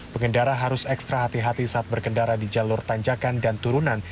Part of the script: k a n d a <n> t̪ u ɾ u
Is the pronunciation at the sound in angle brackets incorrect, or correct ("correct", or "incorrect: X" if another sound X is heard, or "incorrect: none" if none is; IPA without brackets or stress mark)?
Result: correct